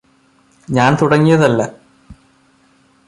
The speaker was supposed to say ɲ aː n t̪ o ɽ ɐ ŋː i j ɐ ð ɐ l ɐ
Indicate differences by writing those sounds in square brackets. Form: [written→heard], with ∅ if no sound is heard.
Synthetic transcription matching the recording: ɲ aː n t̪ [o→u] ɽ ɐ ŋː i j ɐ ð ɐ [l→lː] ɐ